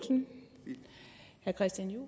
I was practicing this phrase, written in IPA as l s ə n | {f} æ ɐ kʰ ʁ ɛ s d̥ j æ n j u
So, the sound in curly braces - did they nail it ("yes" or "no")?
no